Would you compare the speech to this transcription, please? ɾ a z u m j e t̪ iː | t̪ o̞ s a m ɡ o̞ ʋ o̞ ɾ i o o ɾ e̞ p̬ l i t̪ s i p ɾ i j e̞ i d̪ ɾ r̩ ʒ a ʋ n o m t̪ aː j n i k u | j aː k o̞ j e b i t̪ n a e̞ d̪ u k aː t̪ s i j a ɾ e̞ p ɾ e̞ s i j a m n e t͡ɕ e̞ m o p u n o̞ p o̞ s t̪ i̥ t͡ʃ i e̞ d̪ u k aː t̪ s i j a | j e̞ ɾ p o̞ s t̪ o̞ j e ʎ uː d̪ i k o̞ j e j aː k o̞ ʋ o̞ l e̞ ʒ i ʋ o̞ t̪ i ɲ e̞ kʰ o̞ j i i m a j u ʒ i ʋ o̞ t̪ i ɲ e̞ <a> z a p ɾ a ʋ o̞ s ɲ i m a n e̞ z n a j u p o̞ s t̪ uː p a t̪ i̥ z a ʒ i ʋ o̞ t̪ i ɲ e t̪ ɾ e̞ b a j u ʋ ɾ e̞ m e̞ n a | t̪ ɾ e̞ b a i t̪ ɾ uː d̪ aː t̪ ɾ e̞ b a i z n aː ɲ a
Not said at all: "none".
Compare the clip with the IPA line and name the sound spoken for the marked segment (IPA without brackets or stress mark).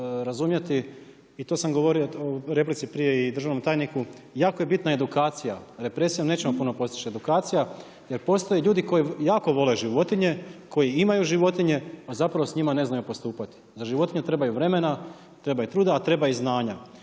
a